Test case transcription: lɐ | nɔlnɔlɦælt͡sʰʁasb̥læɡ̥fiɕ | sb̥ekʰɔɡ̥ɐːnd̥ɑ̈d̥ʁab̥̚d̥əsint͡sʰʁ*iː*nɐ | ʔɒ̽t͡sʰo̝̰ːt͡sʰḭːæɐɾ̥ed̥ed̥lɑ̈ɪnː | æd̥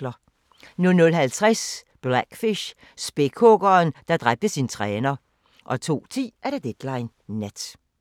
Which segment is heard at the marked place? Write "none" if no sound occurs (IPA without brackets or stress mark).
ɛː